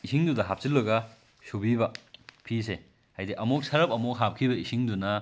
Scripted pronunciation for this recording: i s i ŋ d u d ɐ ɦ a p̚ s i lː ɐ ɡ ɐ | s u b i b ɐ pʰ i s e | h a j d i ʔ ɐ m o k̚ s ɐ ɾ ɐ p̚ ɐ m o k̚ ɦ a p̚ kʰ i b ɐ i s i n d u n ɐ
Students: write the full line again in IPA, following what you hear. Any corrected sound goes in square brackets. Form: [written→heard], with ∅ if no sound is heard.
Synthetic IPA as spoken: i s i ŋ d u d ɐ ɦ a p̚ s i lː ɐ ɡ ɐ | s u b i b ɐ pʰ i s e | h a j d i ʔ ɐ m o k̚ s ɐ ɾ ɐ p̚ ɐ m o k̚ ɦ a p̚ kʰ i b ɐ i s i [n→ŋ] d u n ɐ